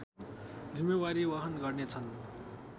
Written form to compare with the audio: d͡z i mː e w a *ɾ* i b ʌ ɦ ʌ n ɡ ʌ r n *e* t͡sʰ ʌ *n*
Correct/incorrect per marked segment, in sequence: correct, correct, correct

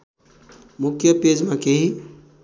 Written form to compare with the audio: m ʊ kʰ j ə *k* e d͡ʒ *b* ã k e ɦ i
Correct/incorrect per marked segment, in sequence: incorrect, incorrect

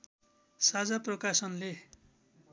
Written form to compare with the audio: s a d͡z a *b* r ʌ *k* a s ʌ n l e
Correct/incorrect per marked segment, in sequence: incorrect, correct

